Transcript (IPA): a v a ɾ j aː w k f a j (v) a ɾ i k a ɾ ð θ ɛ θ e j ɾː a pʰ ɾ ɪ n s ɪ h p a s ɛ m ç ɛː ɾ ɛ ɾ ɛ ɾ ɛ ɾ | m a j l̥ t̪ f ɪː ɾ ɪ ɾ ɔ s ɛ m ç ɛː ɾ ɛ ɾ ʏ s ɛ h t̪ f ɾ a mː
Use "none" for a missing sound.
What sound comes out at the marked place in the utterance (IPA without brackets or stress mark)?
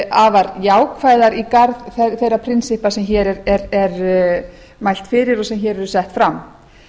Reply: ð